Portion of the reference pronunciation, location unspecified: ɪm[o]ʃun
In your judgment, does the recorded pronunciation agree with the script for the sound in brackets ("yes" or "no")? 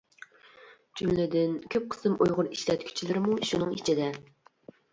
no